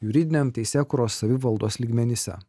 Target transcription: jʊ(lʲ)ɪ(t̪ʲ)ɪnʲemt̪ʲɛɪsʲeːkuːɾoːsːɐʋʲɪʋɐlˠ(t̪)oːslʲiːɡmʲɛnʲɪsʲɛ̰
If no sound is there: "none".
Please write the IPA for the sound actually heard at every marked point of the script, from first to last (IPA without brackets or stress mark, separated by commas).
ɾʲ, d̪ʲ, d̪